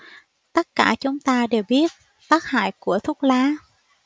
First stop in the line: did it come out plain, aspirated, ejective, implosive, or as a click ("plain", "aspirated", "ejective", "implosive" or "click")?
plain